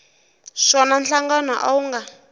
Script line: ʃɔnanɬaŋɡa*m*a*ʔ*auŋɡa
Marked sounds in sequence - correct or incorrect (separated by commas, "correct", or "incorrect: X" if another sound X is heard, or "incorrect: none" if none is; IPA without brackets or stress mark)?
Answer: incorrect: n, correct